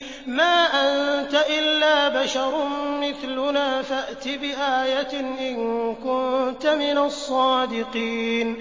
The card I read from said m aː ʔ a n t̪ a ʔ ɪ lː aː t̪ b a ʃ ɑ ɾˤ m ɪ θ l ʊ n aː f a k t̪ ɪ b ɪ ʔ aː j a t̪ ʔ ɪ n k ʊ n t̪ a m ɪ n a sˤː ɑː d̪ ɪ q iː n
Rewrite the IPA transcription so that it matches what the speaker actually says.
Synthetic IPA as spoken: m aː ʔ a n t̪ a ʔ ɪ lː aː b a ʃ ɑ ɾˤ m ɪ θ l ʊ n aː f a ʔ t̪ ɪ b ɪ ʔ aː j a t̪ ʔ ɪ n k ʊ n t̪ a m ɪ n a sˤː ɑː d̪ ɪ q iː n